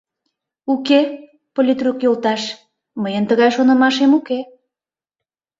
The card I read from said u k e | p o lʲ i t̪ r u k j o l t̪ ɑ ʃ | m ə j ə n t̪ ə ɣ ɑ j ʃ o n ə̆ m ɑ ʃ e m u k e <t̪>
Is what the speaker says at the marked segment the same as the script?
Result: no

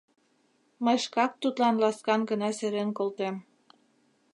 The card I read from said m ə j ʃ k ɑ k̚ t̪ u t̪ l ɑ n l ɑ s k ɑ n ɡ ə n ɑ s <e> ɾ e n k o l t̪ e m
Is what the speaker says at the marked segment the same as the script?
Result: yes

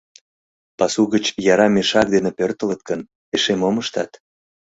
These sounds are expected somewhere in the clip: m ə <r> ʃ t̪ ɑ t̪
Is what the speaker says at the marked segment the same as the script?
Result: no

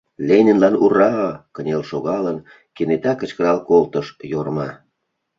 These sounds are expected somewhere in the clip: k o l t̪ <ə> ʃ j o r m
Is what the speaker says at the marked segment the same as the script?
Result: yes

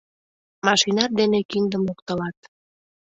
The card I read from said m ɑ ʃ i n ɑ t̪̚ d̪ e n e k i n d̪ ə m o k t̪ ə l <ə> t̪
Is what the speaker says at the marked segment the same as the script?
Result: no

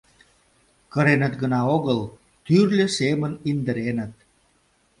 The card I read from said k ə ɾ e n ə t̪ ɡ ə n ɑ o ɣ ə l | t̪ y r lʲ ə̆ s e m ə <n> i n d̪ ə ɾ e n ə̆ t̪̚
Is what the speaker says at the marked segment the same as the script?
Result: yes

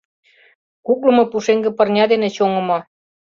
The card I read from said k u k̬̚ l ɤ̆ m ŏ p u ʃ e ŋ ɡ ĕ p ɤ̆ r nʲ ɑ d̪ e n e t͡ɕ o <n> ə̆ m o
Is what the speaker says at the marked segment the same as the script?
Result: no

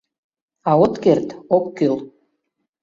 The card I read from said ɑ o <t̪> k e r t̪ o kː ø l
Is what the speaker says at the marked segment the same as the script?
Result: yes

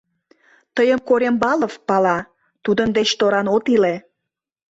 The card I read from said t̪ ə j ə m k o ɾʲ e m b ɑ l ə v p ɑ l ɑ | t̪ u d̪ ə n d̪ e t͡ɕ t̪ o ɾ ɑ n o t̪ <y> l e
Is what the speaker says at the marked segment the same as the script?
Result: no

